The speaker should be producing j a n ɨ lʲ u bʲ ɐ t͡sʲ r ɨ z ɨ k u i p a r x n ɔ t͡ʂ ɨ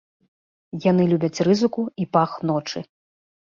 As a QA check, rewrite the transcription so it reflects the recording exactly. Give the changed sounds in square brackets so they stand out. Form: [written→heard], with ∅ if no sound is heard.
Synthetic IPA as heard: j a n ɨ lʲ u bʲ ɐ t͡sʲ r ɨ z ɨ k u i p a [r→∅] x n ɔ t͡ʂ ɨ